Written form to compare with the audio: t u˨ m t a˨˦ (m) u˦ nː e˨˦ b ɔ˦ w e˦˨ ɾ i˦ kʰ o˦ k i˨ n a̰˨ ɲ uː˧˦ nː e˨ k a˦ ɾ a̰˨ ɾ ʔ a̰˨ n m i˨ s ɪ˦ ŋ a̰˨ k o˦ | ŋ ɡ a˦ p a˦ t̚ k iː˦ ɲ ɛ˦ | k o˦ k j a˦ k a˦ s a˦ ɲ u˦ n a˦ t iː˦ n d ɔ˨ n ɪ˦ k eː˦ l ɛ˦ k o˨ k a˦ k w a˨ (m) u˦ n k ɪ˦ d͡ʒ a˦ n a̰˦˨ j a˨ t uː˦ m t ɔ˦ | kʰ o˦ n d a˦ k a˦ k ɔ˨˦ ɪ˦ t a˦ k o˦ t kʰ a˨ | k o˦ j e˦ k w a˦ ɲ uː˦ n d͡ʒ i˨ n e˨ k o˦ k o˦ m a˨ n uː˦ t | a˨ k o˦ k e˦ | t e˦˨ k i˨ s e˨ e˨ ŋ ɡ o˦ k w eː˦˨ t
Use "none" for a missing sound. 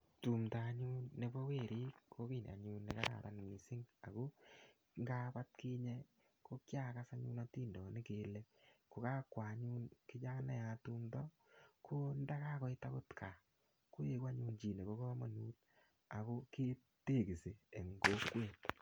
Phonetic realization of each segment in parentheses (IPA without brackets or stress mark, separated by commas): ɲ, ɲ